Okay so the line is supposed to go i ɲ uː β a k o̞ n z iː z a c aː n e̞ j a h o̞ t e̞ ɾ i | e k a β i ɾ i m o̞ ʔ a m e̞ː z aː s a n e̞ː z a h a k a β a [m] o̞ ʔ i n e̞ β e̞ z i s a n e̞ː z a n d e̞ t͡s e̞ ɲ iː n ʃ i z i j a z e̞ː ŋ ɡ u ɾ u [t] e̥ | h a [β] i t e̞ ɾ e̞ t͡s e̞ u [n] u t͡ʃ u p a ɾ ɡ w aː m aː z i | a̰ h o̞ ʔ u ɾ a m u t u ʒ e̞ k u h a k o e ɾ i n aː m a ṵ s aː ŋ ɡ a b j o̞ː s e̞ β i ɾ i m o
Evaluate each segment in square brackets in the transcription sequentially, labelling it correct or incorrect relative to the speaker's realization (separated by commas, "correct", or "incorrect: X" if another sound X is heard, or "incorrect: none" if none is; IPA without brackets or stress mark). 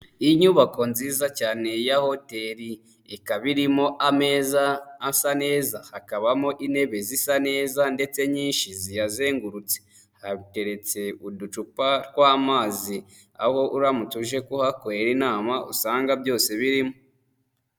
correct, incorrect: t͡s, correct, incorrect: d